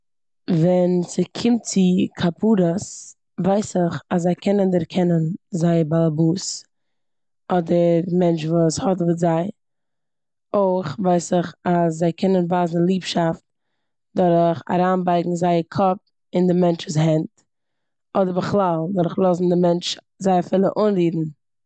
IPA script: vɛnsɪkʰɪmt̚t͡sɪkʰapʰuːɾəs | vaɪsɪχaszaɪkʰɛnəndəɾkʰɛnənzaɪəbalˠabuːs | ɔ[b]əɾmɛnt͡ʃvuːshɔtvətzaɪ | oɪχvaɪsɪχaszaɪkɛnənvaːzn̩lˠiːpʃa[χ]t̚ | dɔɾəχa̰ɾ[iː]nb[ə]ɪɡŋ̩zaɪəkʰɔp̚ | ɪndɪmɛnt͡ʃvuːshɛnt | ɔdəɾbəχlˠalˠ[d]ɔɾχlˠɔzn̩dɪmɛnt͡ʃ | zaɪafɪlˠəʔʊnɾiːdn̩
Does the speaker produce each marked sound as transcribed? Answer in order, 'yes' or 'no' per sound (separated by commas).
no, no, no, no, yes